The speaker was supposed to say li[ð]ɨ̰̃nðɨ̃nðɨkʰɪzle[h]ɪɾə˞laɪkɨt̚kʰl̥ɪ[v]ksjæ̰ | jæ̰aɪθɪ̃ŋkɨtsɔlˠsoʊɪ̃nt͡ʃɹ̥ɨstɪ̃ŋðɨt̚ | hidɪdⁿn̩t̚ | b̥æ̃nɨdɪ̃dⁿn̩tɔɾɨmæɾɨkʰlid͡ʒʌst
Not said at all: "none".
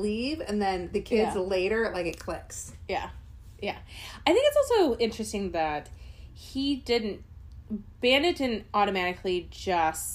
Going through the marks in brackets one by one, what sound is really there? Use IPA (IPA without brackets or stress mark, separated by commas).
v, none, none